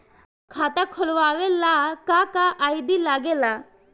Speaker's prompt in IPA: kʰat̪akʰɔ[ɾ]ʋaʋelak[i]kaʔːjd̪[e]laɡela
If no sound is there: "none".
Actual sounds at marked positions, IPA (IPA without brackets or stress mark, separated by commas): l, a, i